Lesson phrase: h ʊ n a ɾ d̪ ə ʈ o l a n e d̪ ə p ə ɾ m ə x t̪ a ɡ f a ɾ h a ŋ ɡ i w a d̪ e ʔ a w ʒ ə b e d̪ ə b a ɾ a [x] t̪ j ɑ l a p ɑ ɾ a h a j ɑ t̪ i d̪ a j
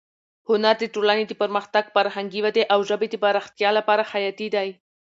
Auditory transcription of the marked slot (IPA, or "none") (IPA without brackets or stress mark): x